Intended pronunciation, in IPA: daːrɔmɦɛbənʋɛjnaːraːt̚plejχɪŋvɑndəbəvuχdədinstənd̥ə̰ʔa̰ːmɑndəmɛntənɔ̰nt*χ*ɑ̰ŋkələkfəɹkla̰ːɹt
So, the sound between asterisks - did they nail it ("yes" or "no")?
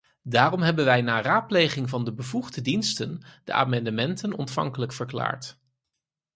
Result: no